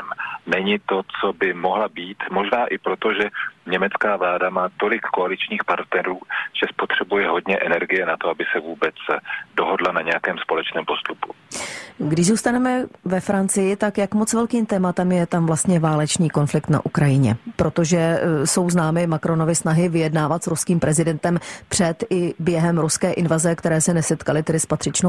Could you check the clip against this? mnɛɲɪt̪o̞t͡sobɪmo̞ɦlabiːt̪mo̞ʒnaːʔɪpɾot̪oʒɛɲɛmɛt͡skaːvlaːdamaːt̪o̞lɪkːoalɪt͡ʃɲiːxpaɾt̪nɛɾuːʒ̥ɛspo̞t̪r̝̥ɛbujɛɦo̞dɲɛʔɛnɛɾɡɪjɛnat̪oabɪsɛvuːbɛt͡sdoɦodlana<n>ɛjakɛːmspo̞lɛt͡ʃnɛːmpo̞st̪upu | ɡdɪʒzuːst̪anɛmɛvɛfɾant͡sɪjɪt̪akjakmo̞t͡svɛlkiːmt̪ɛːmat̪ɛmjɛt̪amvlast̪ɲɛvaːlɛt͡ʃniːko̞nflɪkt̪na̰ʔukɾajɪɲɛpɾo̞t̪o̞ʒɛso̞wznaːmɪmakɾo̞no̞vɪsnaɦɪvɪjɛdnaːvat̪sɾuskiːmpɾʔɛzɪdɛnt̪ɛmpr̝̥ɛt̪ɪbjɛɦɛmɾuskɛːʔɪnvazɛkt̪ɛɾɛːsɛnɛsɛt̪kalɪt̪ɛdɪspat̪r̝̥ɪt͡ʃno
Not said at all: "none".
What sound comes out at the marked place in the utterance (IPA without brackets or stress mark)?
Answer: ɲ